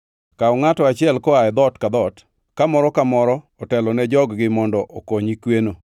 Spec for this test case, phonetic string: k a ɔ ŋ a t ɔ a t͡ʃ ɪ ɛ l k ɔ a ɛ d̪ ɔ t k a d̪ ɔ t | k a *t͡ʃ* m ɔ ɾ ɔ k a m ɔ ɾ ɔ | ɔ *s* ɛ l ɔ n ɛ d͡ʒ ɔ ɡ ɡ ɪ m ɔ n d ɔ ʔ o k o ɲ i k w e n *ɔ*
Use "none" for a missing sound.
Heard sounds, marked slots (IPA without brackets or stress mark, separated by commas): none, t, o